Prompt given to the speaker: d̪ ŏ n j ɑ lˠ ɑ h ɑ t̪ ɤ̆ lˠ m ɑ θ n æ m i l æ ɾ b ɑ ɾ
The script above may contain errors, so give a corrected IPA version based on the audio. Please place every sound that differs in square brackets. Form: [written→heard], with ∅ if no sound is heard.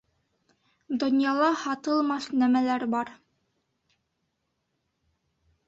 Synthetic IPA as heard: d̪ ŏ n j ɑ lˠ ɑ h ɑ t̪ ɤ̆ lˠ m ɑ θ n æ m [i→æ] l æ ɾ b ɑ ɾ